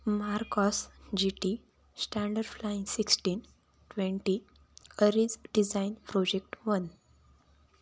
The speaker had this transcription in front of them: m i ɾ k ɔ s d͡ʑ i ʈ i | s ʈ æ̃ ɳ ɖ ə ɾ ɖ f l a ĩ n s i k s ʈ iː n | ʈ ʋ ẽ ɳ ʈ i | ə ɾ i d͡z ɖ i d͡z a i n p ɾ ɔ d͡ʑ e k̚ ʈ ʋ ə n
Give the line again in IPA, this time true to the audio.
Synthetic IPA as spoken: m a ɾ k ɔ s d͡ʑ i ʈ i | s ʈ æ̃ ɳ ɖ ə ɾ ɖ f l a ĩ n s i k s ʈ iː n | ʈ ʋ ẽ ɳ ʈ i | ə ɾ i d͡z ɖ i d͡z a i n p ɾ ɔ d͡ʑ e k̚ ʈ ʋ ə n